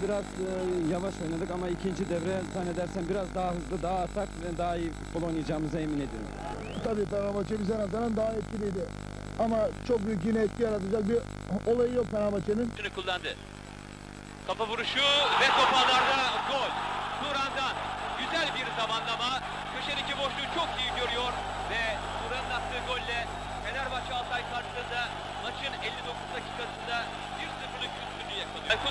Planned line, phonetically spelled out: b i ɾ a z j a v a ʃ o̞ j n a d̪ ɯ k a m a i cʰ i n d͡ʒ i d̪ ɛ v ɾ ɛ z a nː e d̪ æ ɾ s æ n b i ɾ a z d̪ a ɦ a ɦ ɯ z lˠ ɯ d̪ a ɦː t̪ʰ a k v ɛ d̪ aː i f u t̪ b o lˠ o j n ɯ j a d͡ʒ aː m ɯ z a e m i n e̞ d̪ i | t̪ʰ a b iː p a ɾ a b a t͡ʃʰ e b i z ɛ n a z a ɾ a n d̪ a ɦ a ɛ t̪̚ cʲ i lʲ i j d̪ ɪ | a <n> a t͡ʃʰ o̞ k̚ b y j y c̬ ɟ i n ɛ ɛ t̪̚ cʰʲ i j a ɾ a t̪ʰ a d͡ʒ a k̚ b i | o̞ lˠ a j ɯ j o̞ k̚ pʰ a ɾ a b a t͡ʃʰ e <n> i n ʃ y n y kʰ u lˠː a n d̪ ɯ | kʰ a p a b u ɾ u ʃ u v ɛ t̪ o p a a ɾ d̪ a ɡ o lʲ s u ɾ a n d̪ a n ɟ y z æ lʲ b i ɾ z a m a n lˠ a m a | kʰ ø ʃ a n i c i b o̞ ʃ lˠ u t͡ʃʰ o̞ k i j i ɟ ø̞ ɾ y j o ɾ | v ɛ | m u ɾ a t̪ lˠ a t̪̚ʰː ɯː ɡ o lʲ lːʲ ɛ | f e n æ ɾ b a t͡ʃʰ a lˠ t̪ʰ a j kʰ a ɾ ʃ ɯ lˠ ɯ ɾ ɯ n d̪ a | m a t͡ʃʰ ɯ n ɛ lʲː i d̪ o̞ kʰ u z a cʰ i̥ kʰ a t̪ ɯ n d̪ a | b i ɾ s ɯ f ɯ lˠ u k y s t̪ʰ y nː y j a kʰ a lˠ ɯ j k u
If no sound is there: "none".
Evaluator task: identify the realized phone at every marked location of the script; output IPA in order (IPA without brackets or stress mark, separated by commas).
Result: m, n